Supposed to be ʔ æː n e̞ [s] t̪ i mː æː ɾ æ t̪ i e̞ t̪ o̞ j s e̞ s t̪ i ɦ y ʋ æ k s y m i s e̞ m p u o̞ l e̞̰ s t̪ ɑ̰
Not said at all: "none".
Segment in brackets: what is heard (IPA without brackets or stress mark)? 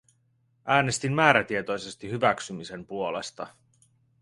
s